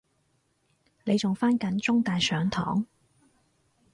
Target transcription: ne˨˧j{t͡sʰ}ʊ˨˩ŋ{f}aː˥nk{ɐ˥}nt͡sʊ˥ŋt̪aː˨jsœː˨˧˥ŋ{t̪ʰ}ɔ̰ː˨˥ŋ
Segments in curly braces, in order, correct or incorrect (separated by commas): incorrect, correct, incorrect, correct